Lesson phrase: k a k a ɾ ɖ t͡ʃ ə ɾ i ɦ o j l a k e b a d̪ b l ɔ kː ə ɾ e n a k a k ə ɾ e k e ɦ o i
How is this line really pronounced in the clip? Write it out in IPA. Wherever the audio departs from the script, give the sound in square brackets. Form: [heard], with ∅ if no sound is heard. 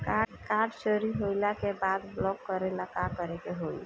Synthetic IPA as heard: k a k a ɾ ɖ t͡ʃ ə ɾ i ɦ o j l a k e b a d̪ b l ɔ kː ə ɾ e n a k a k ə ɾ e k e ɦ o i